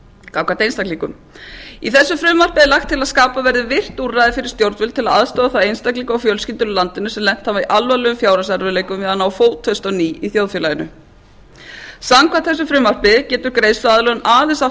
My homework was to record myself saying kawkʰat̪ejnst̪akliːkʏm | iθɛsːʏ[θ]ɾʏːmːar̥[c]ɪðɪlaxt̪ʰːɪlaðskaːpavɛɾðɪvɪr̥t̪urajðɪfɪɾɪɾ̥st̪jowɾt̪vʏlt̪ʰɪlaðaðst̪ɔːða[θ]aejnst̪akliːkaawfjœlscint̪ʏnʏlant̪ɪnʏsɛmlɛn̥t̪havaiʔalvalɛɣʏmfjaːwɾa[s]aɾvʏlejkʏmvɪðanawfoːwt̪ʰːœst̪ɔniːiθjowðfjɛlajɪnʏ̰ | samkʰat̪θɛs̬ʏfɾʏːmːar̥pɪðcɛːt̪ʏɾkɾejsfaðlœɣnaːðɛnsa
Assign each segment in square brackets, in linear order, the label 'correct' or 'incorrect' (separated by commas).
incorrect, incorrect, correct, correct